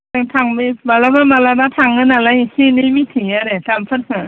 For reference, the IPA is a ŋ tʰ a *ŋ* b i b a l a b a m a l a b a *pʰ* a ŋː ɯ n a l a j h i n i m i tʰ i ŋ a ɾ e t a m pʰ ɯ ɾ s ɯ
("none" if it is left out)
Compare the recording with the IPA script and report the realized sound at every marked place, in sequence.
ŋ, tʰ

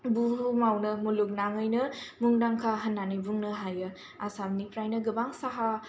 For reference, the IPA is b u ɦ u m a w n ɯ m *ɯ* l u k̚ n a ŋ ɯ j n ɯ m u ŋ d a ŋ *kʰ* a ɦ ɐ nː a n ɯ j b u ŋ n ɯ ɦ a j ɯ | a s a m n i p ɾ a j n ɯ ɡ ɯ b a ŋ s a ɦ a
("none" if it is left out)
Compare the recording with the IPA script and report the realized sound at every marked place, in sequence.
u, kʰ

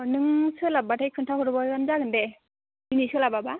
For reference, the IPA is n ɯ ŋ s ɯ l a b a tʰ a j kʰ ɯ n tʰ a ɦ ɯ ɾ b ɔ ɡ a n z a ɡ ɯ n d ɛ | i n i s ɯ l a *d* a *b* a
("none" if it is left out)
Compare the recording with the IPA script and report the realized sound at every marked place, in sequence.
b, b

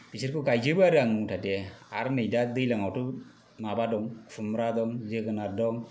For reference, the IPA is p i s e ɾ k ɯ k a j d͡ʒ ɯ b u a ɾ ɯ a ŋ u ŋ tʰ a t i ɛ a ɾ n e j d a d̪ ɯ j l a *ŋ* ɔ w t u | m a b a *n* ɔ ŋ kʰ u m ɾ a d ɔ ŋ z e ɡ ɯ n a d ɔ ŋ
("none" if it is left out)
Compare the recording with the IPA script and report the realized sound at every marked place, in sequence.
ŋ, d

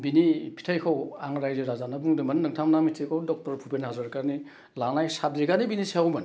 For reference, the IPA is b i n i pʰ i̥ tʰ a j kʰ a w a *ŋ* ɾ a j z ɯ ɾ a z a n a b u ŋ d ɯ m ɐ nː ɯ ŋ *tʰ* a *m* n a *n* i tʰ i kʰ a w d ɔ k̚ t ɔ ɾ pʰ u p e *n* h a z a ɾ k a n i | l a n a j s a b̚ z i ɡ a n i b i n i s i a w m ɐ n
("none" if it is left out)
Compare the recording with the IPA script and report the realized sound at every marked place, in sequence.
ŋ, tʰ, m, m, n

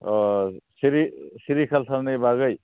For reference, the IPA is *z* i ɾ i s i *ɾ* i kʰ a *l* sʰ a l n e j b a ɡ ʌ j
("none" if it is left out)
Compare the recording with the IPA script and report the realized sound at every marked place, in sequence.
s, ɾ, l

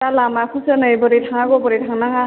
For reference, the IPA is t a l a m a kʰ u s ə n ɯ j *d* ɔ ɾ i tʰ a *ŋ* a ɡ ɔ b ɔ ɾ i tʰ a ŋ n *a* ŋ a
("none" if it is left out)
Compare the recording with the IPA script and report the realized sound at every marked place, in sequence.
b, ŋ, a

